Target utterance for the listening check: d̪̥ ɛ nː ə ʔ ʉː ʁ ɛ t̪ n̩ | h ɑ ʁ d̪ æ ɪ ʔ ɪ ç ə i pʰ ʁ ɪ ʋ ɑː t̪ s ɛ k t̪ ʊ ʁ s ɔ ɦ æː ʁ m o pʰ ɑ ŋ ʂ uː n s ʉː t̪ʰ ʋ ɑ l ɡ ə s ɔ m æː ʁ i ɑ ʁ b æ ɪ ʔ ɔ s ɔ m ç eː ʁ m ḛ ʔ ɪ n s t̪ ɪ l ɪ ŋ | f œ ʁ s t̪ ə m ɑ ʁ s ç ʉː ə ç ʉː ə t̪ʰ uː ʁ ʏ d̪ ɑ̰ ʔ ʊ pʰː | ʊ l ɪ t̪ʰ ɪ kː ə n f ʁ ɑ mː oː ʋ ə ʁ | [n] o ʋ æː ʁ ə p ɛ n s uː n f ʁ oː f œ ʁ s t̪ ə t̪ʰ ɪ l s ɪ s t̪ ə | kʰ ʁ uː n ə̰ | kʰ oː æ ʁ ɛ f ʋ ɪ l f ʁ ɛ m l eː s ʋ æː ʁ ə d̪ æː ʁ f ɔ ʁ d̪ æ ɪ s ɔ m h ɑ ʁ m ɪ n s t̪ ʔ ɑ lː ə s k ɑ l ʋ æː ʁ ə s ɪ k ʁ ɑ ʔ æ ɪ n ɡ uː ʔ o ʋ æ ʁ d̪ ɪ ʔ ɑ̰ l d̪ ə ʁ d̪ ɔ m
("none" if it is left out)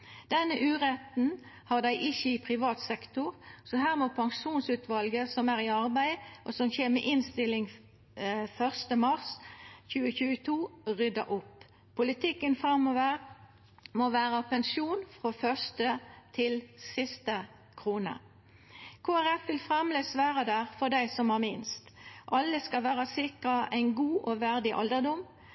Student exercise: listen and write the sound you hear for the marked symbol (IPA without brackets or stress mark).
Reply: m